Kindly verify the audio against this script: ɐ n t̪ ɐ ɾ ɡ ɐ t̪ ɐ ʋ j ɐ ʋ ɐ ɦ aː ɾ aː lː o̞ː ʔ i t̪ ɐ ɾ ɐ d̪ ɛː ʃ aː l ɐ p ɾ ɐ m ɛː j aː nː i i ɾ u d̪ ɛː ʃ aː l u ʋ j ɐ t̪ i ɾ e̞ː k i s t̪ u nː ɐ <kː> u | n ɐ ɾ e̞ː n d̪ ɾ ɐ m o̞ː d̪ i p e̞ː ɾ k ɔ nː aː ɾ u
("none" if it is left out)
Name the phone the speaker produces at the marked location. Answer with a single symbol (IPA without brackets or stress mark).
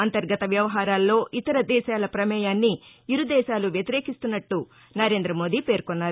ʈː